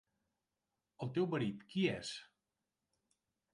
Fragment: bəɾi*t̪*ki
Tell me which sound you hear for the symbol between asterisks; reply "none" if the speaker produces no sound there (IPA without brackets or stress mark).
t̪